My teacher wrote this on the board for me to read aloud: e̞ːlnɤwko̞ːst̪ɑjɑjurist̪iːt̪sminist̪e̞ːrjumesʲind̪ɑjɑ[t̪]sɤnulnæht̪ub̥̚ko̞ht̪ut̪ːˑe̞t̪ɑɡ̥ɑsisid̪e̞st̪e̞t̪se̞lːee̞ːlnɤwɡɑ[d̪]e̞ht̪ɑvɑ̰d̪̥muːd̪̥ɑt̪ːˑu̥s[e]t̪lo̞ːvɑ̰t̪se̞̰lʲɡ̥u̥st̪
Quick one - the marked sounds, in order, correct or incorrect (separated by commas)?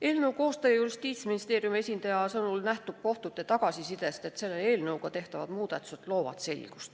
incorrect, incorrect, correct